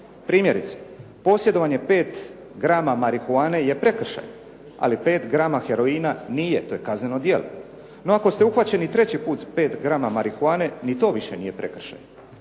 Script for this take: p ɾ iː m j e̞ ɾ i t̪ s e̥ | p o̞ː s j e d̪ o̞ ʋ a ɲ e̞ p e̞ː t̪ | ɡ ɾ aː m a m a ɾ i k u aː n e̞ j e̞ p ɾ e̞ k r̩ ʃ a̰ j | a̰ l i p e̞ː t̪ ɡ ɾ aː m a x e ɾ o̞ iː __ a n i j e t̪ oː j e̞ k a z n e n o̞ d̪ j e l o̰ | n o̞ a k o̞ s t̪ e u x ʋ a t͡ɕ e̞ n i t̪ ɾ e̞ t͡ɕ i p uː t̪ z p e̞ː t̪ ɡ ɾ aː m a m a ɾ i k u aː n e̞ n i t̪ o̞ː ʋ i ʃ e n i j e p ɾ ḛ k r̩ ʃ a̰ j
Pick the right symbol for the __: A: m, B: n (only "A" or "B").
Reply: B